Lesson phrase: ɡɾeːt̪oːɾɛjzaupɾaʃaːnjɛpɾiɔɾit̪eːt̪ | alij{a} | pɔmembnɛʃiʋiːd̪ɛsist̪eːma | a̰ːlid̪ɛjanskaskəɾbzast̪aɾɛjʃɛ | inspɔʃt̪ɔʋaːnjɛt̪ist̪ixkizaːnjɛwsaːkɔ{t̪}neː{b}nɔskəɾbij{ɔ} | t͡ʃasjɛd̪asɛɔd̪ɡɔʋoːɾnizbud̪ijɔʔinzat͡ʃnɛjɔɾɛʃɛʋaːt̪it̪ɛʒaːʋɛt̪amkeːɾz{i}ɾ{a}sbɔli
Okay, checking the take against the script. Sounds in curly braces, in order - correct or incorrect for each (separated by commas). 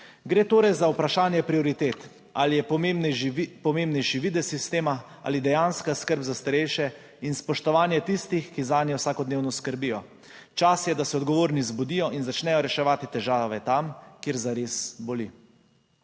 incorrect, incorrect, incorrect, correct, incorrect, incorrect